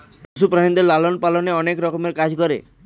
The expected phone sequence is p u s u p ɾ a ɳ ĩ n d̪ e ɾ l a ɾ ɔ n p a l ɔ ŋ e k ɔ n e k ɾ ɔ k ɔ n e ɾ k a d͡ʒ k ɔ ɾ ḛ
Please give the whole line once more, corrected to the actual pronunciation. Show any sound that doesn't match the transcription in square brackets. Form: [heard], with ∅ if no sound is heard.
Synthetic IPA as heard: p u s u p ɾ a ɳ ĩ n d̪ e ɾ l a [l] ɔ n p a l ɔ [n] e [∅] ɔ n e k ɾ ɔ k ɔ [m] e ɾ k a d͡ʒ k ɔ ɾ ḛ